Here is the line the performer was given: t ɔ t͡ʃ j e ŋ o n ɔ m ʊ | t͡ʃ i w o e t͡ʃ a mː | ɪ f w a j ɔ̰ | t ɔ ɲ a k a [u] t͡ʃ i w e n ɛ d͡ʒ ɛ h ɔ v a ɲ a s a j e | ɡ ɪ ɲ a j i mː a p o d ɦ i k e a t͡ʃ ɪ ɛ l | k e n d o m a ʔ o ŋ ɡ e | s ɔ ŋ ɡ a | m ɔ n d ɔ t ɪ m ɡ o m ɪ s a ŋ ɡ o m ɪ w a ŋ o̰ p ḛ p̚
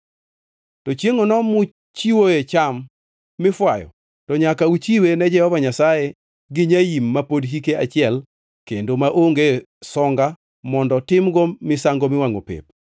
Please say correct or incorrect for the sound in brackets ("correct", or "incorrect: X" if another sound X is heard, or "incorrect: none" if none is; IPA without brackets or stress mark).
correct